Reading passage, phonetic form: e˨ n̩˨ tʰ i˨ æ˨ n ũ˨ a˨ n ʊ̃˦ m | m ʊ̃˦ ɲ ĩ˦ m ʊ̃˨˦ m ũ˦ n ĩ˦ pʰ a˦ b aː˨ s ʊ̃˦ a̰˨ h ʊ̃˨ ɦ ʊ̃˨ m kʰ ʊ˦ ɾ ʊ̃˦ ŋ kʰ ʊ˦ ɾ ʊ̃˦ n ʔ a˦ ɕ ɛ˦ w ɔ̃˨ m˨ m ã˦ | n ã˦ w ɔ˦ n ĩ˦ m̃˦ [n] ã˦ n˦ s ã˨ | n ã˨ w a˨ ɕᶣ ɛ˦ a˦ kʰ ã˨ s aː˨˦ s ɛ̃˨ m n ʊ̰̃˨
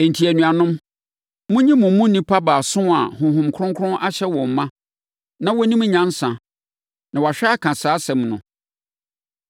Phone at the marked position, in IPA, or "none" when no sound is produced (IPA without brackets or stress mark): ɲ